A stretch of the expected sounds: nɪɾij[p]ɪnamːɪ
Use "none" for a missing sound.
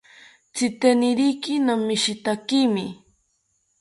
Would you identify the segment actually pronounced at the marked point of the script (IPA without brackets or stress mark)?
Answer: k